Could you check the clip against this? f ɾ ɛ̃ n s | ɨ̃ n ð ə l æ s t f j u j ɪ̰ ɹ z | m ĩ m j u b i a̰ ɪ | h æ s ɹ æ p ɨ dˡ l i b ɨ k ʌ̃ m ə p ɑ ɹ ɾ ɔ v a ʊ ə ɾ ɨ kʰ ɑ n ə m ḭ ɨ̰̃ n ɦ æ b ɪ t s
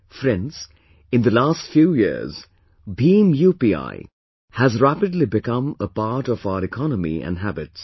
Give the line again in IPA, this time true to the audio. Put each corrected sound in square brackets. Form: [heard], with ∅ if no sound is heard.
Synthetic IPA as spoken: f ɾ ɛ̃ n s | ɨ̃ n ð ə l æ s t f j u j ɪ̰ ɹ z | [b] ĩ m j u [p] i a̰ ɪ | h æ [z] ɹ æ p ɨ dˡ l i b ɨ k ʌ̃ m ə p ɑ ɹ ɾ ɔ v a ʊ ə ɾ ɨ kʰ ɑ n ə m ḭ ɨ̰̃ n ɦ æ b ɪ t s

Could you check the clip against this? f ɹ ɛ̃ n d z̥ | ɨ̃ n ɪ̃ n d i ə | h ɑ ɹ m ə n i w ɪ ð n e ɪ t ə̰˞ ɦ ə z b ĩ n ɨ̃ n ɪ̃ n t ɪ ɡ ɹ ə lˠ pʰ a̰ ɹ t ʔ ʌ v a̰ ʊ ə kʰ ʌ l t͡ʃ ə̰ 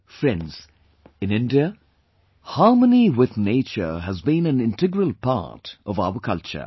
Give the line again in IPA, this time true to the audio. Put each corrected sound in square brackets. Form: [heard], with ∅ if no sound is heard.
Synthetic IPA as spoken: f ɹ ɛ̃ n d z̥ | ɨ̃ n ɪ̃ n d i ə | h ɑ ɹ m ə n i w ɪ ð n e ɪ [t͡ʃ] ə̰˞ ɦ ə z b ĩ n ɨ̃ n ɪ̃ n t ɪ ɡ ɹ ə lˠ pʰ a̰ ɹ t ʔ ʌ v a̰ ʊ ə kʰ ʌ l t͡ʃ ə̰

